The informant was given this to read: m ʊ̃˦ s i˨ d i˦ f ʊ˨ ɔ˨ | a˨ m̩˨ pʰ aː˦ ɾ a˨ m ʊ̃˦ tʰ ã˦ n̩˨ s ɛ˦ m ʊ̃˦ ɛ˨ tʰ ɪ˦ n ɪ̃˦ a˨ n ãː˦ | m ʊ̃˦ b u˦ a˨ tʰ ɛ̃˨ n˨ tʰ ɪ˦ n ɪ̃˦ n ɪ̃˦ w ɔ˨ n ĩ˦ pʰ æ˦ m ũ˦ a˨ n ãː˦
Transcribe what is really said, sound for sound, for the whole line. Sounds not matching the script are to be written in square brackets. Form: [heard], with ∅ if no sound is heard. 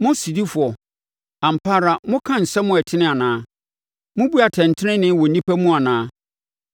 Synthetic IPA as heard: m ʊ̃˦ s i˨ d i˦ f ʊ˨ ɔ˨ | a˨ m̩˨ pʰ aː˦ ɾ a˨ m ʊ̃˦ [kʰ] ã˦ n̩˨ s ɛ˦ m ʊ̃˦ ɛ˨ tʰ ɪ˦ n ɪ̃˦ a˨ n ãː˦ | m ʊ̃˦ b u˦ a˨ tʰ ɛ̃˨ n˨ tʰ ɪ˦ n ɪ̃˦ n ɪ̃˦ w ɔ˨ n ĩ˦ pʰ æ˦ m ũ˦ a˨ n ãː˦